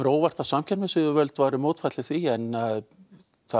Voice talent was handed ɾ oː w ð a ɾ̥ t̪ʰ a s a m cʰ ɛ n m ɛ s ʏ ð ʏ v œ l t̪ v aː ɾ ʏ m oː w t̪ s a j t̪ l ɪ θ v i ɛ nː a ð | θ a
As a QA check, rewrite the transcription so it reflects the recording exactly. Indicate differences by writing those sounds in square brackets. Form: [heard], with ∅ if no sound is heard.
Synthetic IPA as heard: ɾ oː w [v] a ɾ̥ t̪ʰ a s a m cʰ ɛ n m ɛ s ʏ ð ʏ v œ l t̪ v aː ɾ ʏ m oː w t̪ [f] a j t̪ l ɪ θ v i ɛ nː a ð | θ a